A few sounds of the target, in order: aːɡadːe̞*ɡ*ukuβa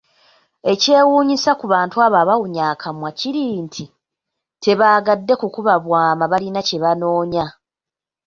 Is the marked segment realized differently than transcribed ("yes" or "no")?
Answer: yes